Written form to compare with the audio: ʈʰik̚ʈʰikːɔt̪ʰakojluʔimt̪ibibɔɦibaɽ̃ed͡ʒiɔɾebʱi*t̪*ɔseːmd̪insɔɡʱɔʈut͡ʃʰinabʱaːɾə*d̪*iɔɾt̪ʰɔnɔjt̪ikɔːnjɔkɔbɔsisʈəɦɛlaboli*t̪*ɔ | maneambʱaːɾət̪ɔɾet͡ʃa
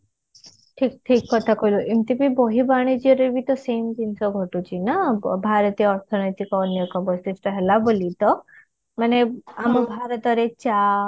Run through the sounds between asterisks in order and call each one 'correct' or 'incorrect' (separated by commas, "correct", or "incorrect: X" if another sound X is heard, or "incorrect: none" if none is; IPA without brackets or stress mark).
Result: correct, incorrect: t̪, correct